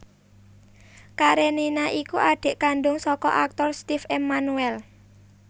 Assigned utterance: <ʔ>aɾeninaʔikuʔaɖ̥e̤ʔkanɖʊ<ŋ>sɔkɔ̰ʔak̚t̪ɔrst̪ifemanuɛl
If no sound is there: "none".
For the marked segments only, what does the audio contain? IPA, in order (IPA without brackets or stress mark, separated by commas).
k, ŋ